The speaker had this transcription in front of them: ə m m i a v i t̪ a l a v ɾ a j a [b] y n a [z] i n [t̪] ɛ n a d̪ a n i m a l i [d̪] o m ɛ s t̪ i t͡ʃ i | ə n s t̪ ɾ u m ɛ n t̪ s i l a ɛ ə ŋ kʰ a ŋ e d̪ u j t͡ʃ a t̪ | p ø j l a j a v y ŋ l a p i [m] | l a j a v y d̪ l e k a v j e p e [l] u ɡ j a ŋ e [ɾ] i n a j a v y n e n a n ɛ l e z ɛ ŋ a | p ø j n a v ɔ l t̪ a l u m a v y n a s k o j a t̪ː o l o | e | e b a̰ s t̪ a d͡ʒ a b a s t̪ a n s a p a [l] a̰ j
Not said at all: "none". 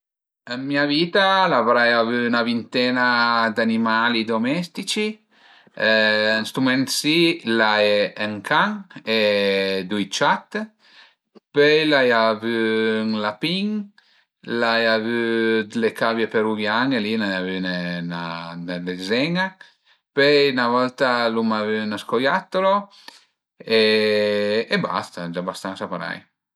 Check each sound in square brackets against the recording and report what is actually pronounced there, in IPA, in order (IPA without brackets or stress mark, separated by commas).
v, v, t̪, d̪, ŋ, ɾ, l, ɾ